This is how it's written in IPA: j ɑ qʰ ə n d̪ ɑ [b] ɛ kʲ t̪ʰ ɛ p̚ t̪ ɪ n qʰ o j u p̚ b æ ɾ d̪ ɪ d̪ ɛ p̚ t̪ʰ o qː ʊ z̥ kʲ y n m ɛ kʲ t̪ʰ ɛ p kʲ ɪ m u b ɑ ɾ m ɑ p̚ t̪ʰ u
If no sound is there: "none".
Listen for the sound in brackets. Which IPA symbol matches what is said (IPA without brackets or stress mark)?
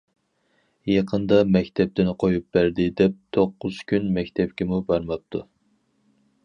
m